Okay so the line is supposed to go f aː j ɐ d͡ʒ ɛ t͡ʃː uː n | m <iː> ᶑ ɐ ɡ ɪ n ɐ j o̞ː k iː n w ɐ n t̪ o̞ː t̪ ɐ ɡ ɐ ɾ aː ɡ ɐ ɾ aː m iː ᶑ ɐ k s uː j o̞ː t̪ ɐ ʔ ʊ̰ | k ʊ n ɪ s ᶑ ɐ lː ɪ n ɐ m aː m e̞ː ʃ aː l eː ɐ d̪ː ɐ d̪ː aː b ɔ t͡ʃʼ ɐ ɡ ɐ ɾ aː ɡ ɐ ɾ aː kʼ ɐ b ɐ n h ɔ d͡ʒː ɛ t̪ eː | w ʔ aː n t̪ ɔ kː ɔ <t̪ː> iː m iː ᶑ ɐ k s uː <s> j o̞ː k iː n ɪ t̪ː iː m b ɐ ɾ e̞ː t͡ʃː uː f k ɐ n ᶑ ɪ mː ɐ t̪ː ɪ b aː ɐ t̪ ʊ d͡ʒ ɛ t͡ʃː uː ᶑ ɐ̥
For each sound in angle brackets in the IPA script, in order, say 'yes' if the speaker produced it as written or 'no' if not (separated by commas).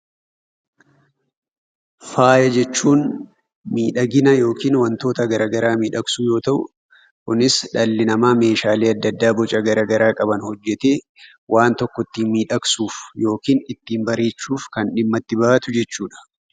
yes, yes, no